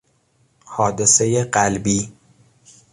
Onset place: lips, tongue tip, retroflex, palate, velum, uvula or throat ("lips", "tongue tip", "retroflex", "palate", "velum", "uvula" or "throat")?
throat